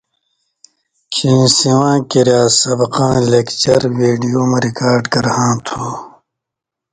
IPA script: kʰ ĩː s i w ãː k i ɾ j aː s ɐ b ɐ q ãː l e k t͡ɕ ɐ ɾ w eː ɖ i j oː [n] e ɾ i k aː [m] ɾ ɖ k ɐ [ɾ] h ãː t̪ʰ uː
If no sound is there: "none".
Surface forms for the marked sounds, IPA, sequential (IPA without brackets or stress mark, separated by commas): m, none, ɾ